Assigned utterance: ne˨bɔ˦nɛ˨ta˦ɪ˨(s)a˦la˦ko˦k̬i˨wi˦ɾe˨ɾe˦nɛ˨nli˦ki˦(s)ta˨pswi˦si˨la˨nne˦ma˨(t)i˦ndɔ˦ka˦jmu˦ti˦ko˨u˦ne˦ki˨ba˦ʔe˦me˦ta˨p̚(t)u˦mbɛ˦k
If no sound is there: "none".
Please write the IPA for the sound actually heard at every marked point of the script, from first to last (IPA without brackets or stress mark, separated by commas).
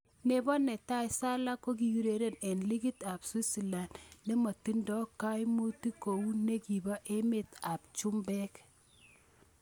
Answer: s, none, t, t͡ʃ